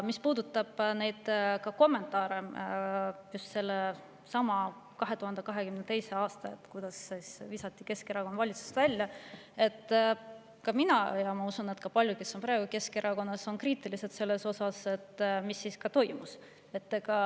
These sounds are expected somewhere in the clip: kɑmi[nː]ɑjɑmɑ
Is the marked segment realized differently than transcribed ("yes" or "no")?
yes